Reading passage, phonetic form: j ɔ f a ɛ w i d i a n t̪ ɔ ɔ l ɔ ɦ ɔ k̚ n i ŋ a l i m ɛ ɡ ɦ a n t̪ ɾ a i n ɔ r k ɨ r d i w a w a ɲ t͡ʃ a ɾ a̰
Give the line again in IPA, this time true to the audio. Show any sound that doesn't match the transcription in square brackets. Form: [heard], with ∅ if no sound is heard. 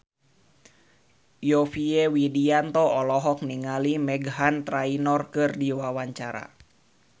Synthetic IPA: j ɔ f [i] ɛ w i d i a n t̪ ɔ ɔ l ɔ ɦ ɔ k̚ n i ŋ a l i m ɛ ɡ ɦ a n t̪ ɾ a i n ɔ r k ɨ r d i w a w a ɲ t͡ʃ a ɾ a̰